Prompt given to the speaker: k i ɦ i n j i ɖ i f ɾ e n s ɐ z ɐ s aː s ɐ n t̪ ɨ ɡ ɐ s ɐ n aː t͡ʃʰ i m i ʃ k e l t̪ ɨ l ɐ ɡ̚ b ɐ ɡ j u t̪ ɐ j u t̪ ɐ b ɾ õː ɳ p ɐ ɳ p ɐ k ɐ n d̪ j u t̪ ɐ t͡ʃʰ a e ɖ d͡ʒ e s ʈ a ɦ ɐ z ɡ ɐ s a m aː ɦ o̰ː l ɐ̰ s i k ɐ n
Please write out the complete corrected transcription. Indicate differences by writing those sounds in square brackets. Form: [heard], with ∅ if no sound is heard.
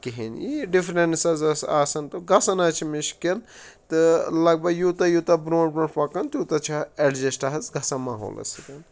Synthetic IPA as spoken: k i ɦ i n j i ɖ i f ɾ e n s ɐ z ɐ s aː s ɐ n t̪ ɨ ɡ ɐ s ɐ n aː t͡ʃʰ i m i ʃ k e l t̪ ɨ l ɐ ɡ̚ b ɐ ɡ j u t̪ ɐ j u t̪ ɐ b ɾ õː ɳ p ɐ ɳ p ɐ k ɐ n [t̪] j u t̪ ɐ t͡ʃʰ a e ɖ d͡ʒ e s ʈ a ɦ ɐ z ɡ ɐ s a m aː ɦ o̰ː l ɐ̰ s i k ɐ n